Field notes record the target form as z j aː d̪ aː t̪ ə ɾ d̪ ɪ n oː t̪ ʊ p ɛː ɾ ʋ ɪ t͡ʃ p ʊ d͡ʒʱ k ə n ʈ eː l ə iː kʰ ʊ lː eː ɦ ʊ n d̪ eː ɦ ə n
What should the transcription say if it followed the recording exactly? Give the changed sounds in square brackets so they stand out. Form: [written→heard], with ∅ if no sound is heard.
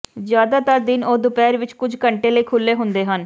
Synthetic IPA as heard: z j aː d̪ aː t̪ ə ɾ d̪ ɪ n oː [t̪→d̪] ʊ p ɛː ɾ ʋ ɪ t͡ʃ [p→k] ʊ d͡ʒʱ k ə [n→ɳ] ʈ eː l ə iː kʰ ʊ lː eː ɦ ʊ n d̪ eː ɦ ə n